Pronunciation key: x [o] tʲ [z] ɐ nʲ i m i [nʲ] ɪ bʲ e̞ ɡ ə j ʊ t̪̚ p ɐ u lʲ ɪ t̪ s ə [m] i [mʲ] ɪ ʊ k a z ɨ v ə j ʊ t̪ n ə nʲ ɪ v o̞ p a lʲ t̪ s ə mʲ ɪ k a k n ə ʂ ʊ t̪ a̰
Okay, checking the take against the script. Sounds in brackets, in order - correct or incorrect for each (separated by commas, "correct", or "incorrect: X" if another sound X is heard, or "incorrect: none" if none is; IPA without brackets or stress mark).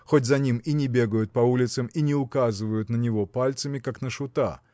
correct, correct, correct, correct, incorrect: nʲ